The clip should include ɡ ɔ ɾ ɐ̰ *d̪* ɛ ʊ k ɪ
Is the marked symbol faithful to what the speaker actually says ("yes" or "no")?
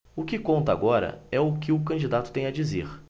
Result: no